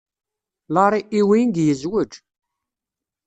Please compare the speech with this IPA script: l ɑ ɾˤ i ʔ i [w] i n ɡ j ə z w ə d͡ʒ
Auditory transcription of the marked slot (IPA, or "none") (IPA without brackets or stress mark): w